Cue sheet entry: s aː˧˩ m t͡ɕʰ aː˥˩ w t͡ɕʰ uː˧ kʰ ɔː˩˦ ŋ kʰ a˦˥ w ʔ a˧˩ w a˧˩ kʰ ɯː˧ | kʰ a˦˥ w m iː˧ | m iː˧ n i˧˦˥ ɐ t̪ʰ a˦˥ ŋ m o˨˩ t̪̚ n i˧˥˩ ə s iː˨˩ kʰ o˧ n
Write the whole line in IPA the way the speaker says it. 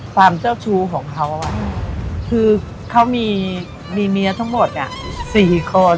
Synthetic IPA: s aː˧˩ m t͡ɕ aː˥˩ w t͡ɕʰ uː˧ kʰ ɔː˩˦ ŋ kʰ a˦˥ w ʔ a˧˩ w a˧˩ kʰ ɯː˧ | kʰ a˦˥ w m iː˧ | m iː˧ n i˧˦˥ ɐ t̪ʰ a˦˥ ŋ m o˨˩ t̪̚ n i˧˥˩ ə s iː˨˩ kʰ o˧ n